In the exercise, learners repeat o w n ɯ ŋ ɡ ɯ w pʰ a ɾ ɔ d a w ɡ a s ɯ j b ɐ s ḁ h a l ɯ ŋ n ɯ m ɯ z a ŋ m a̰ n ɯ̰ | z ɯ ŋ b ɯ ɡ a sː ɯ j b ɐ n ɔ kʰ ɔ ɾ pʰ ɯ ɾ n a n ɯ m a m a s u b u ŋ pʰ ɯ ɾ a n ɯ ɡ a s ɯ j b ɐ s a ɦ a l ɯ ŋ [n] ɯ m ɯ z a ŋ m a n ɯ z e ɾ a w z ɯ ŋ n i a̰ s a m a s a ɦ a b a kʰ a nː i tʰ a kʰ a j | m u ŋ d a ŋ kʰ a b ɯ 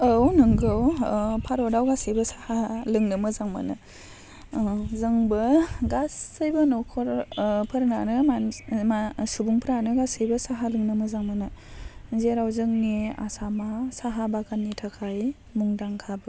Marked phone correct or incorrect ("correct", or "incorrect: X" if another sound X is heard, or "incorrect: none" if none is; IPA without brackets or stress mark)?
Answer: correct